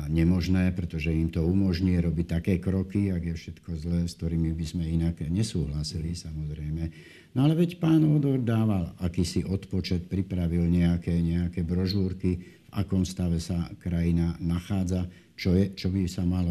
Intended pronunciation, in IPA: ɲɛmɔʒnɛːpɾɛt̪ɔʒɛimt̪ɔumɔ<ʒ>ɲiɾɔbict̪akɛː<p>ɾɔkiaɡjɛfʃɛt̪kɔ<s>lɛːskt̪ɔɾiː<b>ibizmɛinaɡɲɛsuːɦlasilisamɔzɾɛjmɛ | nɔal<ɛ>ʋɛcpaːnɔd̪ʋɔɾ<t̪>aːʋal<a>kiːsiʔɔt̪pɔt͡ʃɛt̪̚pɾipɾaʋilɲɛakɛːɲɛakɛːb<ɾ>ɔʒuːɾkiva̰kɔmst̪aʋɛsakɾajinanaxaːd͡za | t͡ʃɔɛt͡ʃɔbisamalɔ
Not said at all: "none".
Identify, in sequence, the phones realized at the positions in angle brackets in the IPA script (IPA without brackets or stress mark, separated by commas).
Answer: ʒ, k, z, m, ɛ, d̪, a, ɾ